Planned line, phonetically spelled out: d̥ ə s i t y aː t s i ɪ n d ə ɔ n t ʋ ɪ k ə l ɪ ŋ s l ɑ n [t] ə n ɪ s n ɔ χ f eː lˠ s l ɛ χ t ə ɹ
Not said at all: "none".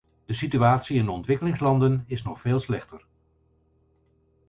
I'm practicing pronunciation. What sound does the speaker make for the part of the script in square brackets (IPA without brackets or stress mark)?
d